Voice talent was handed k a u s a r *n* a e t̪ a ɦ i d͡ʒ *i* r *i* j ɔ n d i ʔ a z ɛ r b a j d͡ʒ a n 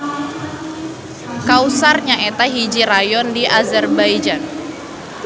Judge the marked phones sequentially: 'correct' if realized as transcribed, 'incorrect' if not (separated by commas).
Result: incorrect, correct, incorrect